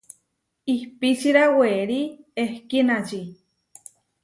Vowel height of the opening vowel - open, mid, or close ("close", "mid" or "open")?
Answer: close